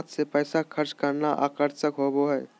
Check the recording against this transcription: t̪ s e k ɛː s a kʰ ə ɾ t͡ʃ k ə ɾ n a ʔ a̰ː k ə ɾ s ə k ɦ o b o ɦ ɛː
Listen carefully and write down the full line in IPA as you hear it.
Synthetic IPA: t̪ s e p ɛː s a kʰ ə ɾ t͡ʃ k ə ɾ n a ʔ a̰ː k ə ɾ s ə k ɦ o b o ɦ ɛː